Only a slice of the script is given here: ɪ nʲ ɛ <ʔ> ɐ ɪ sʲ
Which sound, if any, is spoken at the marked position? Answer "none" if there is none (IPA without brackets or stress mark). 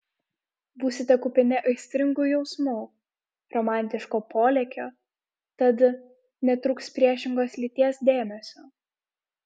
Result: ʔ